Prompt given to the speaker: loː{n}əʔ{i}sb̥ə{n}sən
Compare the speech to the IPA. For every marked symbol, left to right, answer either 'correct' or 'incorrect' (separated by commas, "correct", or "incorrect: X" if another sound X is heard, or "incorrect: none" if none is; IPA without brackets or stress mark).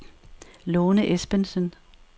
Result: correct, incorrect: e, correct